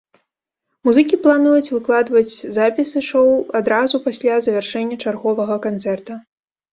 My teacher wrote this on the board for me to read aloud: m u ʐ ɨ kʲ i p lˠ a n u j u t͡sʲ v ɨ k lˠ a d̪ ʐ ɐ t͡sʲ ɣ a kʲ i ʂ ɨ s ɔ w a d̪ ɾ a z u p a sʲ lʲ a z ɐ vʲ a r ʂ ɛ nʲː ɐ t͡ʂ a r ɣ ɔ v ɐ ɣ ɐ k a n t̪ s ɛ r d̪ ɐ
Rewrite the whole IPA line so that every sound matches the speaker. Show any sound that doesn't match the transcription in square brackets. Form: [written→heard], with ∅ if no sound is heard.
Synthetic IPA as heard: m u [ʐ→z] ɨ kʲ i p lˠ a n u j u t͡sʲ v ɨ k lˠ a d̪ [ʐ→v] ɐ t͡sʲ [ɣ→z] a [kʲ→pʲ] i [ʂ→s] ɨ [s→ʂ] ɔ w a d̪ ɾ a z u p a sʲ lʲ a z ɐ vʲ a r ʂ ɛ nʲː ɐ t͡ʂ a r ɣ ɔ v ɐ ɣ ɐ k a n t̪ s ɛ r [d̪→t̪] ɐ